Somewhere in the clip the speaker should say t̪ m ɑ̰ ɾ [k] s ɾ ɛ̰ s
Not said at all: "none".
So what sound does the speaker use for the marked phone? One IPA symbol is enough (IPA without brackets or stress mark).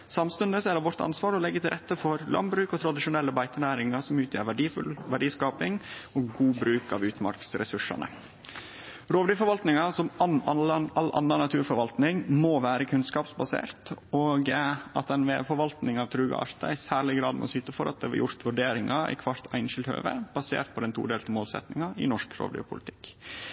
k